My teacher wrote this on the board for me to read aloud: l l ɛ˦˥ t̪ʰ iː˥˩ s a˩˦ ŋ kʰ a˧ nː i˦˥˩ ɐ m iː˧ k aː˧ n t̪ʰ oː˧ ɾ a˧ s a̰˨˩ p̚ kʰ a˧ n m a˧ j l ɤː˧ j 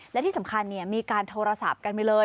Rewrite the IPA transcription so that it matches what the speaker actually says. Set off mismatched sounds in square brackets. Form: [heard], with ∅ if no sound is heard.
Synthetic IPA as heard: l l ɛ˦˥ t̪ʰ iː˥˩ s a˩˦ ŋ kʰ a˧ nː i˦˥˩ ɐ m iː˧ k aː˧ n t̪ʰ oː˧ ɾ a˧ s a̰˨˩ p̚ [k] a˧ n m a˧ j l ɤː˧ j